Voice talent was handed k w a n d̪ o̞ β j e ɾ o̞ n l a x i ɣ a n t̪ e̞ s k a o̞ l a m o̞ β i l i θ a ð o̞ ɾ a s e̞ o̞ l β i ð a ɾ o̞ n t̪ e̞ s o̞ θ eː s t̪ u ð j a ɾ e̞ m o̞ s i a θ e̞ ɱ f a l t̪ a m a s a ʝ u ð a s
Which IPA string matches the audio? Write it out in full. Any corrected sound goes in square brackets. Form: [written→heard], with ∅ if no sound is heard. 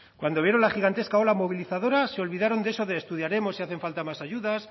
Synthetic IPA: k w a n d̪ o̞ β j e ɾ o̞ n l a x i ɣ a n t̪ e̞ s k a o̞ l a m o̞ β i l i θ a ð o̞ ɾ a s e̞ o̞ l β i ð a ɾ o̞ n [t̪→d̪] e̞ s o̞ [θ→ð] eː s t̪ u ð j a ɾ e̞ m o̞ s i a θ e̞ ɱ f a l t̪ a m a s a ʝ u ð a s